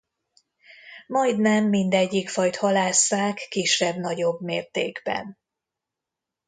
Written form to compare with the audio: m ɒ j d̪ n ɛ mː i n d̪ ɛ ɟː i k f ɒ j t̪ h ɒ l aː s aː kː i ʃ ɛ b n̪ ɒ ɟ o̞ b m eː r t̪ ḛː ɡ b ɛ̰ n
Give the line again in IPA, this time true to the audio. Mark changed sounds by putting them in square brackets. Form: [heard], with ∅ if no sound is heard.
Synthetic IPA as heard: m ɒ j d̪ n ɛ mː i n d̪ ɛ ɟː i k f ɒ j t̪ h ɒ l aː s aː kː i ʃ ɛ b n̪ ɒ ɟ o̞ b m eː r t̪ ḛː ɡ b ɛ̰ n